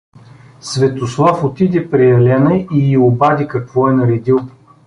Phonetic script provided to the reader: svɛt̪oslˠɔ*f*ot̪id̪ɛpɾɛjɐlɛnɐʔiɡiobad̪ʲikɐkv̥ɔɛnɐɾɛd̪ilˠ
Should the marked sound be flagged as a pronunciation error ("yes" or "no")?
no